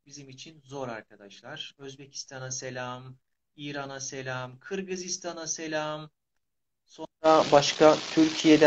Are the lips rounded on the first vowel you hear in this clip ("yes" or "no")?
no